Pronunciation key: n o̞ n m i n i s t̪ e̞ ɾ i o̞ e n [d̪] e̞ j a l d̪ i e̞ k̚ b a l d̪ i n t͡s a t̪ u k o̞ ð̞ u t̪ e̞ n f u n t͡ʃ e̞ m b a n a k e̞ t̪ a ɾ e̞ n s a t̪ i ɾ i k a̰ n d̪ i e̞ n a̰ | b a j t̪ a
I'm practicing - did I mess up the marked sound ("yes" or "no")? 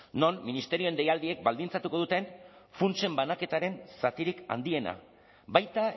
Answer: no